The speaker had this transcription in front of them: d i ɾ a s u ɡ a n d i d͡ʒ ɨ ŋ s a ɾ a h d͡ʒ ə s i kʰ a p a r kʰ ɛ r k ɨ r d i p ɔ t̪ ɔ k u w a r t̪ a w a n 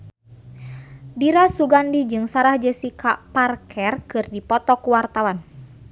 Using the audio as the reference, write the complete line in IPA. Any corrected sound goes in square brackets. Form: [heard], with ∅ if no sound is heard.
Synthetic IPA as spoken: d i ɾ a s u ɡ a n d i d͡ʒ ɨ ŋ s a ɾ a h d͡ʒ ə s i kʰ a p a r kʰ ɛ r k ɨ r d i p ɔ t̪ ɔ k u w a r t̪ a w a n